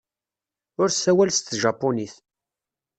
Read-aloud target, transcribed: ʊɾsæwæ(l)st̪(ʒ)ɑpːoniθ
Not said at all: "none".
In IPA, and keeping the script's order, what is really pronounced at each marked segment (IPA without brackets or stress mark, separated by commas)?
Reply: l, ʒ